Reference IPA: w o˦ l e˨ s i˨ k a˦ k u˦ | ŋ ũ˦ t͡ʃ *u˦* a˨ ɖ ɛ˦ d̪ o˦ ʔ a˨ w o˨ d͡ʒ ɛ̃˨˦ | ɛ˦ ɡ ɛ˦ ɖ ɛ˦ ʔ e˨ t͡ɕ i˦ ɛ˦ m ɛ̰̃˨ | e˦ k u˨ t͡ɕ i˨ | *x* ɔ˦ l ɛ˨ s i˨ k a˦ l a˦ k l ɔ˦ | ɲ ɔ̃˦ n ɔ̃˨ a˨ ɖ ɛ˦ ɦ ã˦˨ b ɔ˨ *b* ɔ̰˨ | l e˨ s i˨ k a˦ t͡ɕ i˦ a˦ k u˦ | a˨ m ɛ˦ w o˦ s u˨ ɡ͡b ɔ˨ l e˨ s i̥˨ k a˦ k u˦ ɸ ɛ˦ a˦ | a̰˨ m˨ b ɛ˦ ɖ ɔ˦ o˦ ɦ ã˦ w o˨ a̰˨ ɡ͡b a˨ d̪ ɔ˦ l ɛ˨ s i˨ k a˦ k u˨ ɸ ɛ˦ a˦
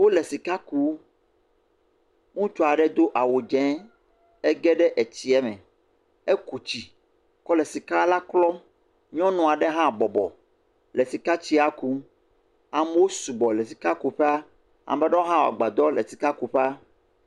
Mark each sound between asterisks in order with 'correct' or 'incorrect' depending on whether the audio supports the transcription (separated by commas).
incorrect, incorrect, correct